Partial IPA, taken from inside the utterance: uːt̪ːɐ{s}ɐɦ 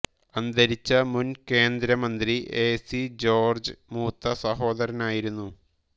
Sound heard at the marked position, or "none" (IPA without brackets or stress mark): s